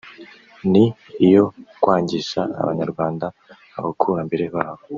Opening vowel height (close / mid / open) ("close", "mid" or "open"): close